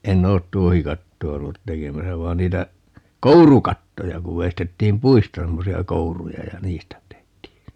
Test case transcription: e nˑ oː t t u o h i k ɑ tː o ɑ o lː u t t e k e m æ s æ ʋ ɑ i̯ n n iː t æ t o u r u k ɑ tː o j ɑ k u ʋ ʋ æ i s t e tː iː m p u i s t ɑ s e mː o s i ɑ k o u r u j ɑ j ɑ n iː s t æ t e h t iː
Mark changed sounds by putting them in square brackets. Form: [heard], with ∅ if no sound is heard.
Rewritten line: e nˑ oː t t u o h i k ɑ tː o ɑ o lː u t t e k e m æ s æ ʋ ɑ i̯ n n iː t æ [k] o u r u k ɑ tː o j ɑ k u ʋ ʋ [e] i s t e tː iː m p u i s t ɑ s e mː o s i ɑ k o u r u j ɑ j ɑ n iː s t æ t e h t iː